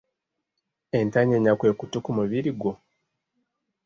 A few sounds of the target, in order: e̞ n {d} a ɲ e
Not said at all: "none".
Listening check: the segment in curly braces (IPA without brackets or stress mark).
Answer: t